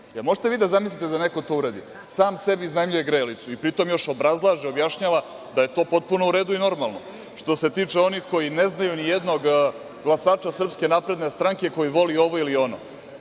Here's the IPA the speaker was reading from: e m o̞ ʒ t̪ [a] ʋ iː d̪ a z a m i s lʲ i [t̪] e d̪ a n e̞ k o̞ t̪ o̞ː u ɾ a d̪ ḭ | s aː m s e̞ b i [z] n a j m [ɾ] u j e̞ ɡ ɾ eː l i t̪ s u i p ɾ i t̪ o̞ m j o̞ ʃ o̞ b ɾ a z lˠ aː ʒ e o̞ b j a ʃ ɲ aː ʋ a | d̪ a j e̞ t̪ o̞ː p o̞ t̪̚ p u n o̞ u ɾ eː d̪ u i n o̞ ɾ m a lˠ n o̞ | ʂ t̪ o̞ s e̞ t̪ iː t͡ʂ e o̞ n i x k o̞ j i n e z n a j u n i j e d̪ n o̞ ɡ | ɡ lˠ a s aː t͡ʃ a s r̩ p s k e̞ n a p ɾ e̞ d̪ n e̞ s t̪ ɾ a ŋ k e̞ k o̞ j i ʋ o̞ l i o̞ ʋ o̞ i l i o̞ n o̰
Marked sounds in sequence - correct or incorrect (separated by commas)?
incorrect, correct, correct, incorrect